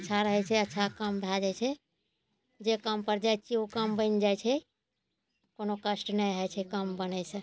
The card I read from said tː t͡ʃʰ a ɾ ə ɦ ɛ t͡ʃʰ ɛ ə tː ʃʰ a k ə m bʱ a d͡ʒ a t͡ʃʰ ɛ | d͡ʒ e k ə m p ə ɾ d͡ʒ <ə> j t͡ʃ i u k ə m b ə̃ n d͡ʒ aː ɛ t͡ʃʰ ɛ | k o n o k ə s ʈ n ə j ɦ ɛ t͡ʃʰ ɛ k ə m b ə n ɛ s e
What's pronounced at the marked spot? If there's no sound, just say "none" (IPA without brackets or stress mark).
a